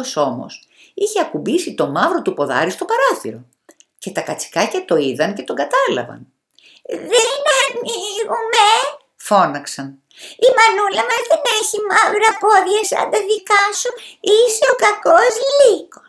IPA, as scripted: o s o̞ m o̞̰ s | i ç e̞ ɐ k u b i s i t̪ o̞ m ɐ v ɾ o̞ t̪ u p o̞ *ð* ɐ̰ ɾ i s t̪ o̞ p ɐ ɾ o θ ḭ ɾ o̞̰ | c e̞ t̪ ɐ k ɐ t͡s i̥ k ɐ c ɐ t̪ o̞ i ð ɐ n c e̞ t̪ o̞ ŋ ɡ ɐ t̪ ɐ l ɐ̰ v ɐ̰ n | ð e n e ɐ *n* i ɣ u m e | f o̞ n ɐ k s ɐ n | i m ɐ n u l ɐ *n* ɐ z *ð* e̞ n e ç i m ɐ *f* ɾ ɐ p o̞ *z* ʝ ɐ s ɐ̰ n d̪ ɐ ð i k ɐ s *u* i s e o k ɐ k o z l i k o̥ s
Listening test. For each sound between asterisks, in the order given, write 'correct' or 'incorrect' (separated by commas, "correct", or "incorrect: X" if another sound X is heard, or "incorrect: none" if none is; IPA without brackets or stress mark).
correct, correct, incorrect: m, correct, incorrect: v, incorrect: ð, correct